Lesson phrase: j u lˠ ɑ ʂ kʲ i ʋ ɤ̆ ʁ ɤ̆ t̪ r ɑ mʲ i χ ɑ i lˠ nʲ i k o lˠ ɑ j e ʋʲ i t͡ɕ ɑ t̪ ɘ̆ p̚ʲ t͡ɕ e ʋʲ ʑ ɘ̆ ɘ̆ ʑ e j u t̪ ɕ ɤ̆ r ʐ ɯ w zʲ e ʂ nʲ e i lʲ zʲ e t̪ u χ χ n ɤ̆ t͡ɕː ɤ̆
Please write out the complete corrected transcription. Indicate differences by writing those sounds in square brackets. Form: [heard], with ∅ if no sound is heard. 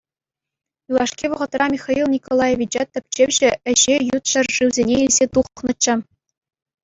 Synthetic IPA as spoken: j u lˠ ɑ ʂ kʲ i ʋ ɤ̆ ʁ ɤ̆ t̪ r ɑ mʲ i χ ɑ i lˠ nʲ i k o lˠ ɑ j e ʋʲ i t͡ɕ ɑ t̪ ɘ̆ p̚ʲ t͡ɕ e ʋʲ ʑ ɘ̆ ɘ̆ ʑ e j u t̪ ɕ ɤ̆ r ʐ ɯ w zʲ e [∅] nʲ e i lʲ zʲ e t̪ u χ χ n ɤ̆ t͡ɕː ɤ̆